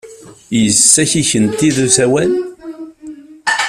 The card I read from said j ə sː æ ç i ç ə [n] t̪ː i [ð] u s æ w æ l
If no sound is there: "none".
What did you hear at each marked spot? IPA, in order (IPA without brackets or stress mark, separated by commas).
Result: n, ð